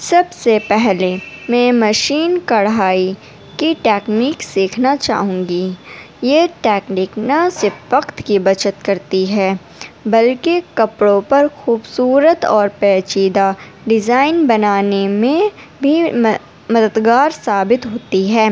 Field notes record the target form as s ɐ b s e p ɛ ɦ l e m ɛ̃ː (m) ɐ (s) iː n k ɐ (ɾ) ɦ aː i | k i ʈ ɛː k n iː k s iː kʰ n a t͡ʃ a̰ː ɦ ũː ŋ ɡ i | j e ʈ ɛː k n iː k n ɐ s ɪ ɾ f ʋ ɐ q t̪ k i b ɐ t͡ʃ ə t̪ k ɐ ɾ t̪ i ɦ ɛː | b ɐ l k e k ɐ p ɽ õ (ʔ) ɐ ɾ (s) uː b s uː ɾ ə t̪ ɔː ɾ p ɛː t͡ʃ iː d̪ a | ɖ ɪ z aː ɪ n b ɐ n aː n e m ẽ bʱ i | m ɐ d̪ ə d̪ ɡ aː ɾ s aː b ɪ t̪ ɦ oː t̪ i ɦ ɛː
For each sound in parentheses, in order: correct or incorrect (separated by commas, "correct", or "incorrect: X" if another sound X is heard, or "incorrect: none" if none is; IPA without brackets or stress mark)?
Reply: correct, incorrect: ʃ, incorrect: ɽ, incorrect: p, incorrect: x